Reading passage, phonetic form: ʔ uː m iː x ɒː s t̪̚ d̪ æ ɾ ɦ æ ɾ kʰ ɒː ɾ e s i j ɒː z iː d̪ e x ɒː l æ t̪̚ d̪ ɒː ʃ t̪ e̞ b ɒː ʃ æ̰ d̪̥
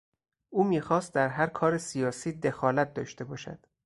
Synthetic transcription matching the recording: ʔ uː m iː x ɒː s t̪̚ d̪ æ ɾ ɦ æ ɾ kʰ ɒː ɾ e s i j ɒː s iː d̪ e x ɒː l æ t̪̚ d̪ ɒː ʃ t̪ e̞ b ɒː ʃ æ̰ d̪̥